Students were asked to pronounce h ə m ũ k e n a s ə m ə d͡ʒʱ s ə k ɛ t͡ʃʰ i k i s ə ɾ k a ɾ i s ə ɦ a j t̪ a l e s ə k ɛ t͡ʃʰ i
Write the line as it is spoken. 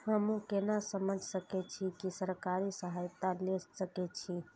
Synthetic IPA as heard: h ə m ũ k e n a s ə m ə d͡ʒʱ s ə k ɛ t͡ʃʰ i k i s ə ɾ k a ɾ i s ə ɦ a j t̪ a l e s ə k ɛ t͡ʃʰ i

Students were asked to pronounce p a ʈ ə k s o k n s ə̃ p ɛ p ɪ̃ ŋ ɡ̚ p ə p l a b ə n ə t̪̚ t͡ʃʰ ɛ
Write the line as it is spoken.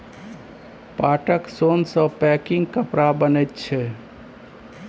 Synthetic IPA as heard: p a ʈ ə k s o n s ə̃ p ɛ k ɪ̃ ŋ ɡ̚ k ə p ɾ a b ə n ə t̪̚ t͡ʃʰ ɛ

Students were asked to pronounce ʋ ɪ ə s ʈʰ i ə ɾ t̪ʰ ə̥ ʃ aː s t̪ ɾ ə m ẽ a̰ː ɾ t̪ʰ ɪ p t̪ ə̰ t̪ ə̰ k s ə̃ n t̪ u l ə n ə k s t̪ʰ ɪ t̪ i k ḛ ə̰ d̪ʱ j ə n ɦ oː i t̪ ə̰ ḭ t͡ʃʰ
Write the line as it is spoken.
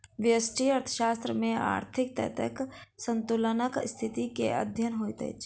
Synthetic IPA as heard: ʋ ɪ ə s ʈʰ i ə ɾ t̪ʰ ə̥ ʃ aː s t̪ ɾ ə m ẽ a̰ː ɾ t̪ʰ ɪ k t̪ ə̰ t̪ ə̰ k s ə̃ n t̪ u l ə n ə k s t̪ʰ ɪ t̪ i k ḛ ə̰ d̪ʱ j ə n ɦ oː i t̪ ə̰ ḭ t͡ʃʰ

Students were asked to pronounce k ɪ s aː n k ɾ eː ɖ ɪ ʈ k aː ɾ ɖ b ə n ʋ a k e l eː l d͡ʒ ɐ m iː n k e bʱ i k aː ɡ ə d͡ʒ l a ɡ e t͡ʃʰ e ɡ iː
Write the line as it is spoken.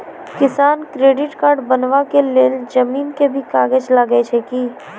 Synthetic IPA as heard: k ɪ s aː n k ɾ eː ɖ ɪ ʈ k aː ɾ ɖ b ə n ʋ a k e l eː l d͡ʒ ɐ m iː n k e bʱ i k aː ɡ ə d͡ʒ l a ɡ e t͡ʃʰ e k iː

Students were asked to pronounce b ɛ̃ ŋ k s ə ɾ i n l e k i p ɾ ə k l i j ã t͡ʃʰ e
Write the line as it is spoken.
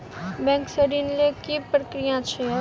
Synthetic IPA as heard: b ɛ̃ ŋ k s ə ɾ i n l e k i p ɾ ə k ɾ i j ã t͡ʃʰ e

